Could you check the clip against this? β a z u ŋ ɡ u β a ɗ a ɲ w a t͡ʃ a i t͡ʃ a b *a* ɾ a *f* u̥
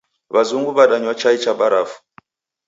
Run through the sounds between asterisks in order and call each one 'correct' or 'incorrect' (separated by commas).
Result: correct, correct